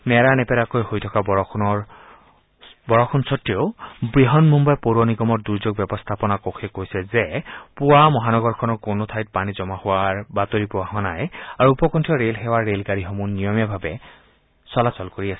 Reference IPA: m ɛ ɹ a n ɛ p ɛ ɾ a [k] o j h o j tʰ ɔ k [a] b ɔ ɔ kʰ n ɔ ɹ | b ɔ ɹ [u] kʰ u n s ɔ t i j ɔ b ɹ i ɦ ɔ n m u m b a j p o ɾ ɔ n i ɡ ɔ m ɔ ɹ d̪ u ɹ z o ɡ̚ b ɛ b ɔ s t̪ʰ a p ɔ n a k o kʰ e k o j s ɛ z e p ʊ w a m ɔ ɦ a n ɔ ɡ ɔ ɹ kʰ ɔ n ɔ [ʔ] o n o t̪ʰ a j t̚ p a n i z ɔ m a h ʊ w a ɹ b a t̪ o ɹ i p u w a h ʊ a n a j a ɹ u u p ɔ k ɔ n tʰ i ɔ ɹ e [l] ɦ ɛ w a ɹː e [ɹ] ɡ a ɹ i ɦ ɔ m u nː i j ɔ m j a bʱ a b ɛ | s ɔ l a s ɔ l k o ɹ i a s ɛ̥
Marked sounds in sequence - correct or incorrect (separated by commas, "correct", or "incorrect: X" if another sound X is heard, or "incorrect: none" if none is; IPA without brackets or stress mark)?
correct, correct, incorrect: ɔ, incorrect: k, correct, incorrect: l